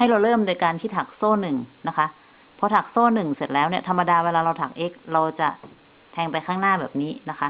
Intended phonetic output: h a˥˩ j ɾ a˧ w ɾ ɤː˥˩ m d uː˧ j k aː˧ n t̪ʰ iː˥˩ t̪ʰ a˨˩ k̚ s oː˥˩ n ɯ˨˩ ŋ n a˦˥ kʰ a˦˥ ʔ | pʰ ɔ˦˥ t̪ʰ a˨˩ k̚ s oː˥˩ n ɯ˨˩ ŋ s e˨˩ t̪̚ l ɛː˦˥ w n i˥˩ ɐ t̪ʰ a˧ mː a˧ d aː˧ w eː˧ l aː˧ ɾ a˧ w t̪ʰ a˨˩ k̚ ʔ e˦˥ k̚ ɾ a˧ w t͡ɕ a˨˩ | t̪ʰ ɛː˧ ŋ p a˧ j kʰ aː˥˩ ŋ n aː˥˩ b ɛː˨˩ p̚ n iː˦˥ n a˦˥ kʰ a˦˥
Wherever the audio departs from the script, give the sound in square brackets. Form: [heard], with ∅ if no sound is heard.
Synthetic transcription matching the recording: h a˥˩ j ɾ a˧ w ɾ ɤː˥˩ m d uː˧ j k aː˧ n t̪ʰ iː˥˩ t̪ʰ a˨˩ k̚ s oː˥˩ n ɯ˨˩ ŋ n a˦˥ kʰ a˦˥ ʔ | pʰ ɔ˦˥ t̪ʰ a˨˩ k̚ s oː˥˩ n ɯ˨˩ ŋ s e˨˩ t̪̚ l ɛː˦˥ w n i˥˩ ɐ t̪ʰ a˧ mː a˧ d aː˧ w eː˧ l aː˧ ɾ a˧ w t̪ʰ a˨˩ k̚ ʔ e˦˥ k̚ ɾ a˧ w t͡ɕ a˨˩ | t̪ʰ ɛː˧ ŋ p a˧ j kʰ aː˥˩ ŋ n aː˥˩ b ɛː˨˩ p̚ n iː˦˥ n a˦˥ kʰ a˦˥